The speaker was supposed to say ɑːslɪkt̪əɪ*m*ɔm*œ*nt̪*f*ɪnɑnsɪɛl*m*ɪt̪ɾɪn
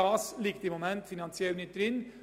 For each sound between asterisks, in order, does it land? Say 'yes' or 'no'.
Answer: yes, no, yes, no

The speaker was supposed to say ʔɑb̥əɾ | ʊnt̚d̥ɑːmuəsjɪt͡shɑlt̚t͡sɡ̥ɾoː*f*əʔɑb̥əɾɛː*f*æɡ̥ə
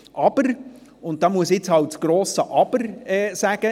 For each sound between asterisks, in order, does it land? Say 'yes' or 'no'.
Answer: no, no

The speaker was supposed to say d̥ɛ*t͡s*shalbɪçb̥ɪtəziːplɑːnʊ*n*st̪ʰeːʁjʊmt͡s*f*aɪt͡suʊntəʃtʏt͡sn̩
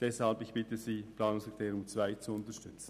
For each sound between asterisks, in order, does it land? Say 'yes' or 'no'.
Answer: no, no, no

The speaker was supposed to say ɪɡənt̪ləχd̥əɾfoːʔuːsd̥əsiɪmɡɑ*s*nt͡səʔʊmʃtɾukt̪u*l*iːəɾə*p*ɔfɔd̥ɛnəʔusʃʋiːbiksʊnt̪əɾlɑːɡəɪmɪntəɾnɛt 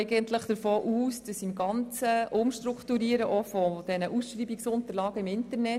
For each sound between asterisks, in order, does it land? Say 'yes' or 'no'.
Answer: no, no, no

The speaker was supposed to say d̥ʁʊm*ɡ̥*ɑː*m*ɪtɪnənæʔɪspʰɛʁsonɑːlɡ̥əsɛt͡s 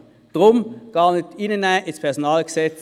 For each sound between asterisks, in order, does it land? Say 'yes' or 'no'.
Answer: yes, no

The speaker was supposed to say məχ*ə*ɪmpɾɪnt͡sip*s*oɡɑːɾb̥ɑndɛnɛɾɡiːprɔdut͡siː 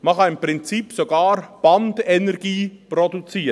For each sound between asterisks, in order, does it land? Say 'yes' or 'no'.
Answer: no, yes

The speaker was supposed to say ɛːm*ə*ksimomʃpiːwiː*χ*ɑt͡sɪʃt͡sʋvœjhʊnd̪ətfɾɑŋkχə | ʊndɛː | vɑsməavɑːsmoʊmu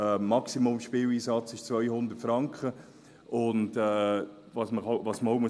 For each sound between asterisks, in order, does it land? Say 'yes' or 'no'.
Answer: no, no

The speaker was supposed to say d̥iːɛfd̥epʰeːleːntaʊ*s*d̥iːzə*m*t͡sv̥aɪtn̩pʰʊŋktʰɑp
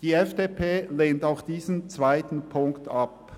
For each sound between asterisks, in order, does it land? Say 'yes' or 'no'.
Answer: no, no

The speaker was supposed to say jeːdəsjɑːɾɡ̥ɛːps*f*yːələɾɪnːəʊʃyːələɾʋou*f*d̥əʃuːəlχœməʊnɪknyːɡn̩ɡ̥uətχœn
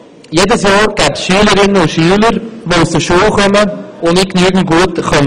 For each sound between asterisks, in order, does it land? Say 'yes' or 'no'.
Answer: no, no

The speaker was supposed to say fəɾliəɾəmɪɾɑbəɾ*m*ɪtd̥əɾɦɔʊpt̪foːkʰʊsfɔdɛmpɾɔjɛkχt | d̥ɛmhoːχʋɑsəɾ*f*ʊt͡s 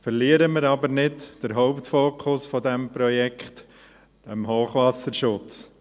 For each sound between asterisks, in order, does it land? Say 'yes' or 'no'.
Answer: no, no

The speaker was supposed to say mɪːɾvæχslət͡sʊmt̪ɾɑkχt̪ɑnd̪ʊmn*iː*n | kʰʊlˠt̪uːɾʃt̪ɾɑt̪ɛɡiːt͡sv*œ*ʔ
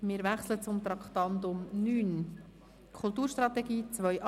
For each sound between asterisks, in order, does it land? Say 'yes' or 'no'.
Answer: no, yes

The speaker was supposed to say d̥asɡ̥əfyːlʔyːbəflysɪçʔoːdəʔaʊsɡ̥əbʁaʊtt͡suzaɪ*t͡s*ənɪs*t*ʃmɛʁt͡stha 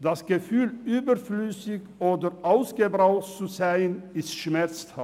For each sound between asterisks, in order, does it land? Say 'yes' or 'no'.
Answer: no, yes

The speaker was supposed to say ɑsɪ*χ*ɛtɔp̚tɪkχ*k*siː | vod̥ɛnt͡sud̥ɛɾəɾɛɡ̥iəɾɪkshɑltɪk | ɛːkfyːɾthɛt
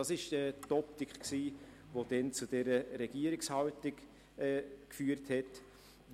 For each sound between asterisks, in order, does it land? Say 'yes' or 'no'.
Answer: no, yes

